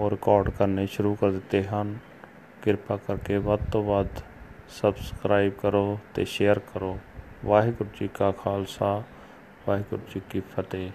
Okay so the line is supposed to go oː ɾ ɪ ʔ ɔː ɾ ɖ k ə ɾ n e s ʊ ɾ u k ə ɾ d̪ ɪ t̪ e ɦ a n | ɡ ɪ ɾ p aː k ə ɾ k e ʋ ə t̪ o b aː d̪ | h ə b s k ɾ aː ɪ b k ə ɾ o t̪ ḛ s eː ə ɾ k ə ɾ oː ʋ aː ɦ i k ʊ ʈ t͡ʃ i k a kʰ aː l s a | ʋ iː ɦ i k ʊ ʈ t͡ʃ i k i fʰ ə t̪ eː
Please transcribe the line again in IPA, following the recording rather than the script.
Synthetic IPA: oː ɾ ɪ k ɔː ɾ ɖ k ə ɾ n e ʃ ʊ ɾ u k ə ɾ d̪ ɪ t̪ e ɦ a n | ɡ ɪ ɾ p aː k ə ɾ k e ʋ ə t̪ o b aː d̪ | s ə b s k ɾ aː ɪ b k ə ɾ o t̪ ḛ ʃ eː ə ɾ k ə ɾ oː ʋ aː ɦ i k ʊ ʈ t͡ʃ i k a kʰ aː l s a | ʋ aː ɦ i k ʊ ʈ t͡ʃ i k i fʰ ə t̪ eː